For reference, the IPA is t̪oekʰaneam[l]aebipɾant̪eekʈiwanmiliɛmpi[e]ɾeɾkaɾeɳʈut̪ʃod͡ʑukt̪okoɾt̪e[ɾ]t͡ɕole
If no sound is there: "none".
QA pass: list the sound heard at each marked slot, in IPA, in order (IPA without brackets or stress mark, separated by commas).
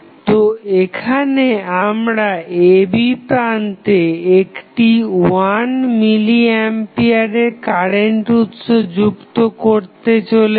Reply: ɾ, a, none